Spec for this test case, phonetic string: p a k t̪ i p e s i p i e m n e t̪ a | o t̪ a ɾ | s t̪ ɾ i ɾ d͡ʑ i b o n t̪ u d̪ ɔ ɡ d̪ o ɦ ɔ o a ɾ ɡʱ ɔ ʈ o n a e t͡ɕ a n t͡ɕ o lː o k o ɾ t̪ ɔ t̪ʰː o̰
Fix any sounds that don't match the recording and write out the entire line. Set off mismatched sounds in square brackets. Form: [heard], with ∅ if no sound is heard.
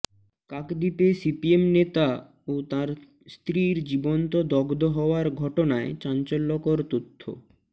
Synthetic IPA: [k] a k [d̪] i p e s i p i e m n e t̪ a | o t̪ a ɾ | s t̪ ɾ i ɾ d͡ʑ i b o n t̪ [o] d̪ ɔ ɡ d̪ o ɦ ɔ o a ɾ ɡʱ ɔ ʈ o n a e t͡ɕ a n t͡ɕ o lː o k o ɾ t̪ [o] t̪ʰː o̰